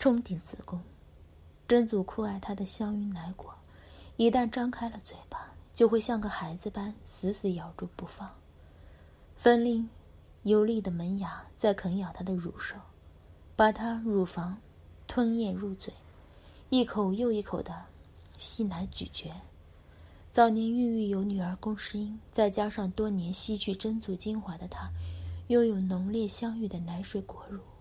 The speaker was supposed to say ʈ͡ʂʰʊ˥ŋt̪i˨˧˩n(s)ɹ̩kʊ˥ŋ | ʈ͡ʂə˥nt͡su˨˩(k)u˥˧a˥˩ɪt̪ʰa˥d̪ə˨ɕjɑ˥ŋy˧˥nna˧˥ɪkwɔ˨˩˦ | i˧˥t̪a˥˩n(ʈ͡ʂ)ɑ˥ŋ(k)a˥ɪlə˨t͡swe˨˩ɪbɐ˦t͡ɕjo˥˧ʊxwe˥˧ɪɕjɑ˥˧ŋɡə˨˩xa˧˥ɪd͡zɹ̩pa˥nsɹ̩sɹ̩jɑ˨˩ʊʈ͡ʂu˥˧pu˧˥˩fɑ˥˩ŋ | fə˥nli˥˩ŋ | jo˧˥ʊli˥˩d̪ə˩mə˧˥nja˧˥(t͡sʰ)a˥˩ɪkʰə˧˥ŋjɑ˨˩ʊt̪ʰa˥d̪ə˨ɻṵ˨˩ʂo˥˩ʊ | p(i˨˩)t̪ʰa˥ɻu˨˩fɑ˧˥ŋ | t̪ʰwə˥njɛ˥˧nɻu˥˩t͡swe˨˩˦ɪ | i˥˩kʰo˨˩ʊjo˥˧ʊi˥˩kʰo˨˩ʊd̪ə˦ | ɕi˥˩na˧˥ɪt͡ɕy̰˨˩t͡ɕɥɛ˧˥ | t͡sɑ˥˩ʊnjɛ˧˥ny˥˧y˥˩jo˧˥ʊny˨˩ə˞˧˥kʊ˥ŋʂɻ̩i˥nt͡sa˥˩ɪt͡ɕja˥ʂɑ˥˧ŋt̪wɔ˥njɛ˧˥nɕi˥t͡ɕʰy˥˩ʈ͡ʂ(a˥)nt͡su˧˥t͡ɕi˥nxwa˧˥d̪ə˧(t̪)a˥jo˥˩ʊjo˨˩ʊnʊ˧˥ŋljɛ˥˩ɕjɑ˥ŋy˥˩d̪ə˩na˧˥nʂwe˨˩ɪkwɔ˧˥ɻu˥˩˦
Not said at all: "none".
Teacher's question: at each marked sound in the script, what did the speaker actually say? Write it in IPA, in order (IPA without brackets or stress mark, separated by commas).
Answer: t͡s, kʰ, ʈ͡ʂ, kʰ, t͡s, a˨˩, ə˥, t̪ʰ